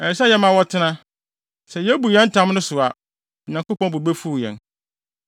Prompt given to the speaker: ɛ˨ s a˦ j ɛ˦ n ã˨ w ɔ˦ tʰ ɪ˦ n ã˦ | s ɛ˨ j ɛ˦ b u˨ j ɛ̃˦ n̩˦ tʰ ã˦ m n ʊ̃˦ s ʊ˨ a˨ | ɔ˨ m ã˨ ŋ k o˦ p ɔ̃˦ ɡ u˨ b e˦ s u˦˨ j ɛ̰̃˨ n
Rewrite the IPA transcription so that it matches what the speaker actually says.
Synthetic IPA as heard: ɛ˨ s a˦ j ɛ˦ m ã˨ w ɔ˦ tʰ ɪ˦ n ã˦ | s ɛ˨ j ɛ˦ b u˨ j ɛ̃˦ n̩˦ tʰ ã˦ m n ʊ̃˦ s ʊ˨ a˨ | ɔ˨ ɲ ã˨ ŋ k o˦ p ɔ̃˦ b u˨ b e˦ f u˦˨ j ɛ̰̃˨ n